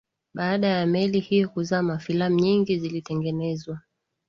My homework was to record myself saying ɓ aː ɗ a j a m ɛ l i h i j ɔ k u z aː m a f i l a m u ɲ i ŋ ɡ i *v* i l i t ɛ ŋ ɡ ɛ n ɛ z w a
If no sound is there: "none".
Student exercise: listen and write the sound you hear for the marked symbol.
z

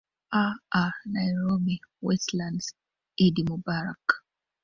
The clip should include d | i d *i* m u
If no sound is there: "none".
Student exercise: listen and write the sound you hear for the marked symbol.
i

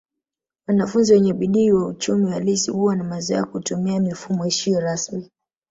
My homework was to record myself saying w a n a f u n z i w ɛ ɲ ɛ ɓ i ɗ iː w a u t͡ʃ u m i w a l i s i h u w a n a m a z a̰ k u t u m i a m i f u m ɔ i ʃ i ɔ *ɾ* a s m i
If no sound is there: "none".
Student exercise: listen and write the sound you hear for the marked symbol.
ɾ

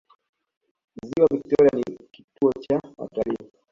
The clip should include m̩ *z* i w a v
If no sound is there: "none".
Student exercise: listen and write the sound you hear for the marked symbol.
z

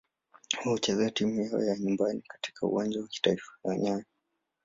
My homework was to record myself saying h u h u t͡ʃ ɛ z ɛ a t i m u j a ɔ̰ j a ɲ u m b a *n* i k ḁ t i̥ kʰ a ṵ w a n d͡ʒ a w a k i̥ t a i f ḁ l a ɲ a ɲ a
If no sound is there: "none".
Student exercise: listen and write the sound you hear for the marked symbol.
n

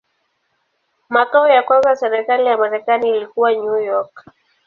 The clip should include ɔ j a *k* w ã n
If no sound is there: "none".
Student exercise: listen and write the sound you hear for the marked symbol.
k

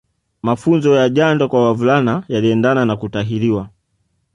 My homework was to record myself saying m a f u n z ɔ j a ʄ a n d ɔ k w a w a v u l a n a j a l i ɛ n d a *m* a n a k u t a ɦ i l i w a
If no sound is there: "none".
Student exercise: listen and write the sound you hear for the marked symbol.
n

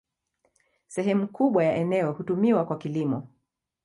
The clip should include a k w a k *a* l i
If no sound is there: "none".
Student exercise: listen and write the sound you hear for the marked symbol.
i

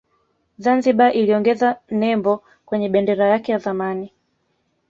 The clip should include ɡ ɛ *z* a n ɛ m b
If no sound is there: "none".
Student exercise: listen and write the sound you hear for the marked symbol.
z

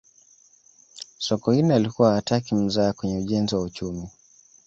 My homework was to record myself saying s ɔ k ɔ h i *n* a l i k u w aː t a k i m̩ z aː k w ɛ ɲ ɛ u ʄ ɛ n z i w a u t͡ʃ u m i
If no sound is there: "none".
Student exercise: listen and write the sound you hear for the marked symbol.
n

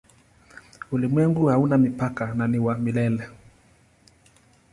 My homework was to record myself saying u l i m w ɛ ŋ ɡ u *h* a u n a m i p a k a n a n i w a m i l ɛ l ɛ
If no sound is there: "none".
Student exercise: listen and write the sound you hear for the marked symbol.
h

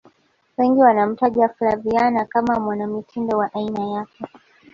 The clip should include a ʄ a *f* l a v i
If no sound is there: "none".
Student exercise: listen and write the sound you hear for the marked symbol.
f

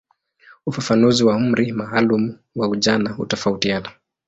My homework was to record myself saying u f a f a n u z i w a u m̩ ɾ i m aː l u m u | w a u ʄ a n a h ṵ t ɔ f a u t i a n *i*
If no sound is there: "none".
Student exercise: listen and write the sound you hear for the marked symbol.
a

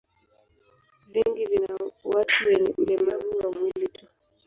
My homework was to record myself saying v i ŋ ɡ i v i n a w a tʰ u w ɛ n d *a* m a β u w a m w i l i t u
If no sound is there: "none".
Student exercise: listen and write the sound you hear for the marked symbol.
ɛ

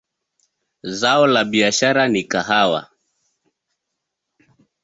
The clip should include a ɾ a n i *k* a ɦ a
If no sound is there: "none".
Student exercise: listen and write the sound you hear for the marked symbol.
k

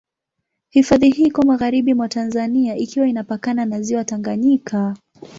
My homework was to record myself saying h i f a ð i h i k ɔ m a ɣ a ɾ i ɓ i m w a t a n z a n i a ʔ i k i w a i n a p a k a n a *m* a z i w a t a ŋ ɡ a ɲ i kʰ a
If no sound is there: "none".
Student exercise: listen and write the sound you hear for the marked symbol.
n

